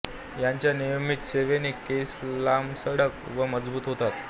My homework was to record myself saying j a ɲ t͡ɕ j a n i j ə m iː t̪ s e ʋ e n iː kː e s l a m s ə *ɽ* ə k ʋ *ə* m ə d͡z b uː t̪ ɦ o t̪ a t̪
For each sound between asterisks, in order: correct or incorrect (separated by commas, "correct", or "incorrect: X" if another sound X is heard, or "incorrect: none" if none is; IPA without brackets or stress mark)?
correct, correct